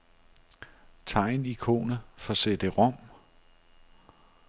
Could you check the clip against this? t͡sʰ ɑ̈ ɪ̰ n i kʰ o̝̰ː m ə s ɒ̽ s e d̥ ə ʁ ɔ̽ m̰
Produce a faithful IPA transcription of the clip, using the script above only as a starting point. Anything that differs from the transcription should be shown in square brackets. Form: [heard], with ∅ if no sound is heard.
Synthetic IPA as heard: t͡sʰ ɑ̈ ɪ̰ n i kʰ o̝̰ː [n] ə [f] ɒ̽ s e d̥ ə ʁ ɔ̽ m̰